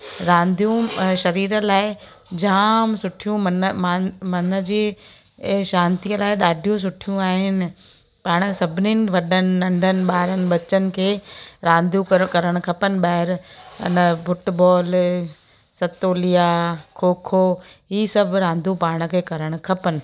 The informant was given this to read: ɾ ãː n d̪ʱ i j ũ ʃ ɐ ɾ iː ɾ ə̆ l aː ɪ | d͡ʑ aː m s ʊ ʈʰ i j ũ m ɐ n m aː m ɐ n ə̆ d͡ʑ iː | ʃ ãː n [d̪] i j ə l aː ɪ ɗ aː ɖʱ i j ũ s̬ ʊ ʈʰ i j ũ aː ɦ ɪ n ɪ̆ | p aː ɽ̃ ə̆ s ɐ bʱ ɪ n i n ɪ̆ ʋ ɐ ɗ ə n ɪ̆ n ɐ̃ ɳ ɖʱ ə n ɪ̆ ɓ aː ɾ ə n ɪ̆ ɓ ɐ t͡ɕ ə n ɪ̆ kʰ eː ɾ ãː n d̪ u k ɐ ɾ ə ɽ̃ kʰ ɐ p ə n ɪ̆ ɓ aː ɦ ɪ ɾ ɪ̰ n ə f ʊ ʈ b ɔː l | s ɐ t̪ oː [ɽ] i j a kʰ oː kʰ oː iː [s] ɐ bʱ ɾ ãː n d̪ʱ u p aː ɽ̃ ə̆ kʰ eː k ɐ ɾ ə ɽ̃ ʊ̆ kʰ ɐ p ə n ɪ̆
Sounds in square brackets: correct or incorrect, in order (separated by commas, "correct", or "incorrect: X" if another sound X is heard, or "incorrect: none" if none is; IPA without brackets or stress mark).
incorrect: t̪, incorrect: l, correct